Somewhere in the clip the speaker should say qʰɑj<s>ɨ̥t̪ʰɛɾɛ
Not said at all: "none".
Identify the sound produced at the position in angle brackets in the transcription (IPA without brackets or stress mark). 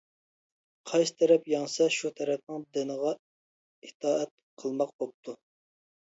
s